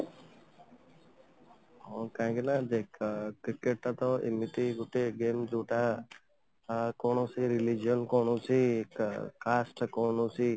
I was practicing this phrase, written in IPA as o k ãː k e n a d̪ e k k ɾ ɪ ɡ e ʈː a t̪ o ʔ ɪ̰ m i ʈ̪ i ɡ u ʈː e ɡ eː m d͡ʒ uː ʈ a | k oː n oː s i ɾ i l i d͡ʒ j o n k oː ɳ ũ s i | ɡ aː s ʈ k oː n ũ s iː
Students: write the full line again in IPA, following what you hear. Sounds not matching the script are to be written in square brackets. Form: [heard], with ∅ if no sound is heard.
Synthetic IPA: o k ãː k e n a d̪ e k k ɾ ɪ [k] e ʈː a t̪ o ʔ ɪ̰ m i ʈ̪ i ɡ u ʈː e ɡ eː m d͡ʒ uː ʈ a | k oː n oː s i ɾ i l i d͡ʒ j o n k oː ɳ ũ s i | [k] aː s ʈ k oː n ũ s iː